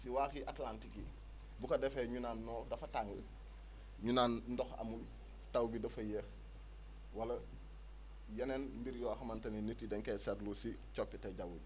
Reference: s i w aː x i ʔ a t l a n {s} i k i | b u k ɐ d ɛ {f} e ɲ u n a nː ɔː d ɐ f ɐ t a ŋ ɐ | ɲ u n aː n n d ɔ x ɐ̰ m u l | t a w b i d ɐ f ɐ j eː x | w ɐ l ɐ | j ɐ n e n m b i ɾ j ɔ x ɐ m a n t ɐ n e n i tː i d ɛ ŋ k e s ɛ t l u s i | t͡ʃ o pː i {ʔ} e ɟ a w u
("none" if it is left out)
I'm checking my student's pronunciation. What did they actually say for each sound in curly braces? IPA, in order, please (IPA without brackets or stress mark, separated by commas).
t, f, t